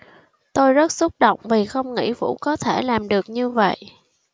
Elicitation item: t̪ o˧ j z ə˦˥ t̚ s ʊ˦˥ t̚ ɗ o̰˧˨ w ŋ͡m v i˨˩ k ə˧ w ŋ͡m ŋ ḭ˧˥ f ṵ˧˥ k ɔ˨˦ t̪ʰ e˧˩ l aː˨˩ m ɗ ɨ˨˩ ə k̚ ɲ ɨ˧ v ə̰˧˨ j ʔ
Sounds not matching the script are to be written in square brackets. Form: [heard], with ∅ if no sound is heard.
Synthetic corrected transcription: t̪ o˧ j z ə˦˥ t̚ s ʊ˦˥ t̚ ɗ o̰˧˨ w ŋ͡m v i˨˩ [x] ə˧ w ŋ͡m ŋ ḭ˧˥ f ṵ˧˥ k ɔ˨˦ t̪ʰ e˧˩ l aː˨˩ m ɗ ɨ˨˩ ə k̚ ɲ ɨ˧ v ə̰˧˨ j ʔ